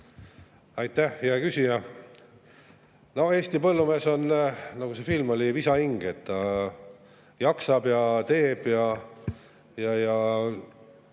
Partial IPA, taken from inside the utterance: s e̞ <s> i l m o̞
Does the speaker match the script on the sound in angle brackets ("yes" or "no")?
no